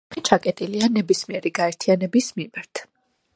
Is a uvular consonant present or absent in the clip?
absent